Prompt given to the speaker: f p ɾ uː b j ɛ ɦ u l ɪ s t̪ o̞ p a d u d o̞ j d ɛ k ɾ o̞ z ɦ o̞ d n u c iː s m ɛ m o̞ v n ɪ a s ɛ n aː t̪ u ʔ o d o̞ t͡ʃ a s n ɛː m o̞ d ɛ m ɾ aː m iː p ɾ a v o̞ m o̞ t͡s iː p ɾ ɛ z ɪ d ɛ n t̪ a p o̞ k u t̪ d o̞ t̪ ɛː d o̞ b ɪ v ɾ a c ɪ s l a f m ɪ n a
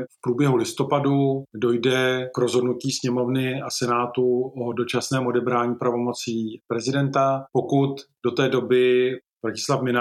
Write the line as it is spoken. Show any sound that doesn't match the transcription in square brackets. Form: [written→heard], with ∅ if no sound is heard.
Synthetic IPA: f p ɾ uː b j ɛ ɦ u l ɪ s t̪ o̞ p a d u d o̞ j d ɛ k ɾ o̞ z ɦ o̞ d n u c iː s [m→ɲ] ɛ m o̞ v n ɪ a s ɛ n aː t̪ u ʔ o d o̞ t͡ʃ a s n ɛː m o̞ d ɛ [m→b] ɾ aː [m→ɲ] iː p ɾ a v o̞ m o̞ t͡s iː p ɾ ɛ z ɪ d ɛ n t̪ a p o̞ k u t̪ d o̞ t̪ ɛː d o̞ b ɪ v ɾ a c ɪ s l a f m ɪ n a